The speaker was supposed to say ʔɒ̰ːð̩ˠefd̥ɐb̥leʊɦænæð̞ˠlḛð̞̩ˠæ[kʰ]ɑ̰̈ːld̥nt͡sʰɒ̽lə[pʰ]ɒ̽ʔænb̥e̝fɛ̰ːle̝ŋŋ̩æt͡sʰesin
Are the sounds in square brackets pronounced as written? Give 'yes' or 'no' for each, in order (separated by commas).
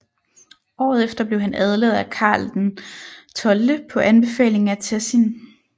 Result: yes, yes